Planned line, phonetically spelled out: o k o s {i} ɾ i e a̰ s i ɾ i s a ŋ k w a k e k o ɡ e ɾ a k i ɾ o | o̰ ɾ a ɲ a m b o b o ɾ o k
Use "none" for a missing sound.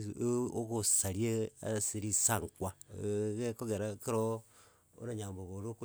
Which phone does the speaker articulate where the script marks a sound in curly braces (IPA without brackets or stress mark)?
a